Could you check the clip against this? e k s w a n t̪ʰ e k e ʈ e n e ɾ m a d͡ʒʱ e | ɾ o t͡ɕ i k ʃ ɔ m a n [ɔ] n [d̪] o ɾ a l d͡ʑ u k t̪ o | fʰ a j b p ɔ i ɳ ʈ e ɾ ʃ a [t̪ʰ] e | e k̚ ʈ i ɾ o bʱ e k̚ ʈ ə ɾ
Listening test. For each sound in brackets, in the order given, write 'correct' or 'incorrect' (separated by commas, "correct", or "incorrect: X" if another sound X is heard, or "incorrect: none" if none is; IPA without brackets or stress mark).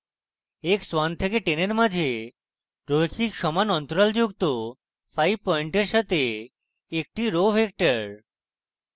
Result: correct, incorrect: t̪, incorrect: t̪